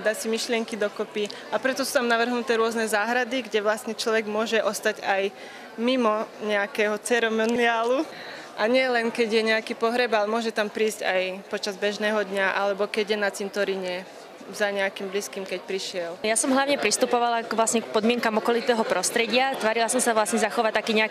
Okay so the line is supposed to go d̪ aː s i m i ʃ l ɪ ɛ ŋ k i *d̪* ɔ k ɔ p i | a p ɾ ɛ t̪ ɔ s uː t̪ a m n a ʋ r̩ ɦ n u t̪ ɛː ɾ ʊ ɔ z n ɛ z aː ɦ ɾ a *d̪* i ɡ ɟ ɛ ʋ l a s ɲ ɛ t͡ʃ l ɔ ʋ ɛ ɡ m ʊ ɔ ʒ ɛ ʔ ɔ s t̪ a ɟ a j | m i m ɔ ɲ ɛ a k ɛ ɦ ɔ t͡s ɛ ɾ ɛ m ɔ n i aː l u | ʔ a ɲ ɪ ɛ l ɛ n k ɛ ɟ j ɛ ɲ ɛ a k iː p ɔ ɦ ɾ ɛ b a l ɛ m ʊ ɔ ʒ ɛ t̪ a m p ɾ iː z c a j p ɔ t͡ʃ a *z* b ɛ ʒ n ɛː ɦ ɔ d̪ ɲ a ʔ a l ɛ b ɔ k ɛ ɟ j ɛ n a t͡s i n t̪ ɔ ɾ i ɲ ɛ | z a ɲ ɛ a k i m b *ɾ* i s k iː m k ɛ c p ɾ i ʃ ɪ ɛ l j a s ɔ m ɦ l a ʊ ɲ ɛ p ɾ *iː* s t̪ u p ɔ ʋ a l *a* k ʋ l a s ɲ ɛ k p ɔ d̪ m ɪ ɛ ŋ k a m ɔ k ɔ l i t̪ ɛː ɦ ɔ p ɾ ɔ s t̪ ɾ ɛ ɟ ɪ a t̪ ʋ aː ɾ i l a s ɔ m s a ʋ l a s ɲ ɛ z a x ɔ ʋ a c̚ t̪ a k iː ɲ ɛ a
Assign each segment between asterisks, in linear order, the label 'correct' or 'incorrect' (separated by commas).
correct, correct, correct, incorrect, incorrect, correct